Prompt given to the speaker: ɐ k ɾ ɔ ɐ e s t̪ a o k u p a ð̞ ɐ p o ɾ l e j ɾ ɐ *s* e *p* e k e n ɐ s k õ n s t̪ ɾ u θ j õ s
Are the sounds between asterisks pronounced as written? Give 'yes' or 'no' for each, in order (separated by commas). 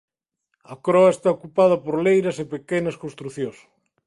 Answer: yes, yes